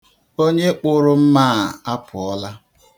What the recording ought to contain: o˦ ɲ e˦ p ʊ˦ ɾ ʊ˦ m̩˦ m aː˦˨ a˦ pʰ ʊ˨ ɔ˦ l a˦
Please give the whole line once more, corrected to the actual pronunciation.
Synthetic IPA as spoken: o˦ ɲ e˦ k͡p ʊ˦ ɾ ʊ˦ m̩˦ m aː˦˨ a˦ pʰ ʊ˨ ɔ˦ l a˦